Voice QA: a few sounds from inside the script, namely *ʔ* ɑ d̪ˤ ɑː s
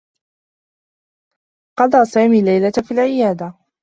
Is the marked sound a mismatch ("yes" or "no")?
yes